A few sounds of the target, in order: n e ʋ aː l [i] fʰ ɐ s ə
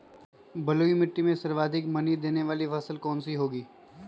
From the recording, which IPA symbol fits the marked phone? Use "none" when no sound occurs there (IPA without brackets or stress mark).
i